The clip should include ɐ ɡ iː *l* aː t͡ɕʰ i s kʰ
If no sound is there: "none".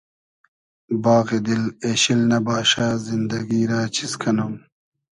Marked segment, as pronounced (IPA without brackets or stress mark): ɾ